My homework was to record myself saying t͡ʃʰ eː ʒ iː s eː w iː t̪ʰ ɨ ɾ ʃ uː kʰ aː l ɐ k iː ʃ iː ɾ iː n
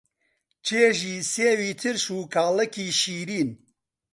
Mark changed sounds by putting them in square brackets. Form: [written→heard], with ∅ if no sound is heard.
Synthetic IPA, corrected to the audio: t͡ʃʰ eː ʒ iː s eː w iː t̪ʰ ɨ ɾ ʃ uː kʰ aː l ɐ k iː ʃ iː ɾ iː n